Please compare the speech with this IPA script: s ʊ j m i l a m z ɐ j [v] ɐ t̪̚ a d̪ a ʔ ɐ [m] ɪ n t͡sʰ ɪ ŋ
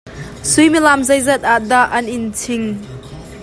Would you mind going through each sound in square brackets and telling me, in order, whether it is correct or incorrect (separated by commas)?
incorrect, incorrect